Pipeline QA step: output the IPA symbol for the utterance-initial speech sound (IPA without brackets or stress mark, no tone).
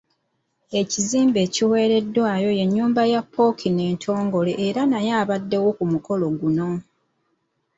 e̞